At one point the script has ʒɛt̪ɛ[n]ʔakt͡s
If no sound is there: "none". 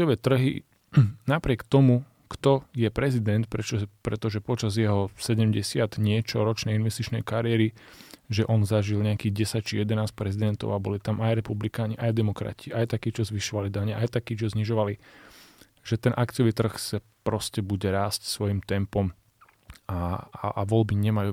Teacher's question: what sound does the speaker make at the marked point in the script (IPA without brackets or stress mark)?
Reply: n